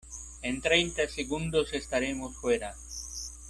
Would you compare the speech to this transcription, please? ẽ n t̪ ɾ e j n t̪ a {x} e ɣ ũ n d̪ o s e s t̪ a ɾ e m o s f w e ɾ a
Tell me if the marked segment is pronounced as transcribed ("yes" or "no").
no